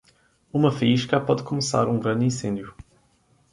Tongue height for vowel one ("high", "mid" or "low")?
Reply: high